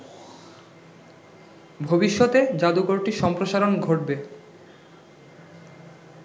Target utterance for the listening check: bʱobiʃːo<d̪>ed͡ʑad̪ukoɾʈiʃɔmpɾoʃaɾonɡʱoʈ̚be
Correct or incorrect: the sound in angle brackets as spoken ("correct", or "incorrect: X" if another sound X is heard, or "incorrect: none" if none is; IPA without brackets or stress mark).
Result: incorrect: t̪